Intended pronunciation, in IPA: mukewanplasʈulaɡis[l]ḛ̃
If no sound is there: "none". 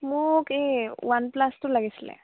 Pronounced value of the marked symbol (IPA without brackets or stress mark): l